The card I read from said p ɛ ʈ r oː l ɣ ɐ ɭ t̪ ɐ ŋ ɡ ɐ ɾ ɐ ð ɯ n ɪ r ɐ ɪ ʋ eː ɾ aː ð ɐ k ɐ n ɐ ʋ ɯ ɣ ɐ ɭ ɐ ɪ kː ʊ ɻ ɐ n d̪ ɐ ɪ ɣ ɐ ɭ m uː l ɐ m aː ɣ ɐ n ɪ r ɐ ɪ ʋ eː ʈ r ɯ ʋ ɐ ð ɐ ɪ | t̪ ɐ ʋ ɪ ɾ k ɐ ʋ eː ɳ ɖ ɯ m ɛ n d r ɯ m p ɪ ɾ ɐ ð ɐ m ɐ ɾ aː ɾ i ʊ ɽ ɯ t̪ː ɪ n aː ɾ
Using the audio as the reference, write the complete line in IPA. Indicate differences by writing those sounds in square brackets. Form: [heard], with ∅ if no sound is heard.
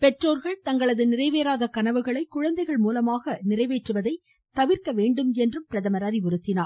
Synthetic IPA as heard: p ɛ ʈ r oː [ɾ] ɣ ɐ ɭ t̪ ɐ ŋ ɡ ɐ [ɭ] ɐ ð ɯ n ɪ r ɐ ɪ ʋ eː ɾ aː ð ɐ k ɐ n ɐ ʋ ɯ ɣ ɐ ɭ ɐ ɪ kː ʊ ɻ ɐ n d̪ ɐ ɪ ɣ ɐ ɭ m uː l ɐ m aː ɣ ɐ n ɪ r ɐ ɪ ʋ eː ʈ r ɯ ʋ ɐ ð ɐ ɪ | t̪ ɐ ʋ ɪ ɾ k ɐ ʋ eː ɳ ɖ ɯ m ɛ n d r ɯ m p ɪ ɾ ɐ ð ɐ m ɐ ɾ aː ɾ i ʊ [ɾ] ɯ t̪ː ɪ n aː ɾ

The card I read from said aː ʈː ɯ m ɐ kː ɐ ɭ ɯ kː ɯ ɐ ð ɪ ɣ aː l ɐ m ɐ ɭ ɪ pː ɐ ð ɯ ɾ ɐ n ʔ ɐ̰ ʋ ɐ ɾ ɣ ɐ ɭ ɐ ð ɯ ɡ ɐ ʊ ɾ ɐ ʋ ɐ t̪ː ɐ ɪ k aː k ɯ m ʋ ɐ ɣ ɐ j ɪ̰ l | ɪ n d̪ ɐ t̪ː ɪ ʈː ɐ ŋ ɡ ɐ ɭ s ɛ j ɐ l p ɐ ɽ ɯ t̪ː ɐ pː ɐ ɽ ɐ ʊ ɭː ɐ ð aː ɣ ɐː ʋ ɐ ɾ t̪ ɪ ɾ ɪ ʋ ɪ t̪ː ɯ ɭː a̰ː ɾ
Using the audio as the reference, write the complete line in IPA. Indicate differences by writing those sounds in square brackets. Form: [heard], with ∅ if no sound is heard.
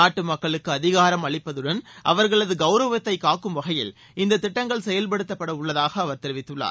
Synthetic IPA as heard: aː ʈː ɯ m ɐ kː ɐ ɭ ɯ kː ɯ ɐ ð ɪ ɣ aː [ɾ] ɐ m ɐ ɭ ɪ pː ɐ ð ɯ [ɽ] ɐ n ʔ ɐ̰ ʋ ɐ ɾ ɣ ɐ ɭ ɐ ð ɯ ɡ ɐ ʊ ɾ ɐ ʋ ɐ t̪ː ɐ ɪ k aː k ɯ m ʋ ɐ ɣ ɐ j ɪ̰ l | ɪ n d̪ ɐ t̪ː ɪ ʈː ɐ ŋ ɡ ɐ ɭ s ɛ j ɐ l p ɐ ɽ ɯ t̪ː ɐ pː ɐ ɽ ɐ ʊ ɭː ɐ ð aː ɣ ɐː ʋ ɐ ɾ t̪ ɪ ɾ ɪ ʋ ɪ t̪ː ɯ ɭː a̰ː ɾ

